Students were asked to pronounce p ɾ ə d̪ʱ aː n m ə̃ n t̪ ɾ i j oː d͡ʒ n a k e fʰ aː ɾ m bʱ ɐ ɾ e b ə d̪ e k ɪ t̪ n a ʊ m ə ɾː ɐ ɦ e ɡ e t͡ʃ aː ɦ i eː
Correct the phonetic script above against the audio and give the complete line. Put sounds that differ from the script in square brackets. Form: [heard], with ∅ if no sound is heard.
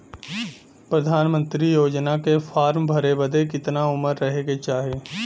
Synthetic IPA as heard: p ɾ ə d̪ʱ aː n m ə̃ n t̪ ɾ i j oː d͡ʒ n a k e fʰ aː ɾ m bʱ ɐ ɾ e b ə d̪ e k ɪ t̪ n a ʊ m ə ɾː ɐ ɦ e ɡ e t͡ʃ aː ɦ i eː